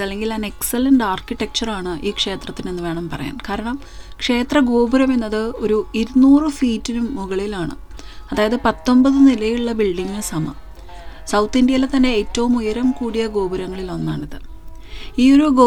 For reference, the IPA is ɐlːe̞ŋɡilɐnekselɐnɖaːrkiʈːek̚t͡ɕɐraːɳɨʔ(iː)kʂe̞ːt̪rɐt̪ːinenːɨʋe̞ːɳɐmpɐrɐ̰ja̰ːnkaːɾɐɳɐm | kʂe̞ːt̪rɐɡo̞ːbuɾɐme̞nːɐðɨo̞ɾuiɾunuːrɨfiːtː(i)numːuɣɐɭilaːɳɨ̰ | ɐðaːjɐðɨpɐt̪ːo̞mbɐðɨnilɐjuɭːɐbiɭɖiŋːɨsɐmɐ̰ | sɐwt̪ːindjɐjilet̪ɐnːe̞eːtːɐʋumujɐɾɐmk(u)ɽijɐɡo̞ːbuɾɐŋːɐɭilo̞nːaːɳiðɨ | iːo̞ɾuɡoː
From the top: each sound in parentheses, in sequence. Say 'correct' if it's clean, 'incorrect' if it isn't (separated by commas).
correct, correct, incorrect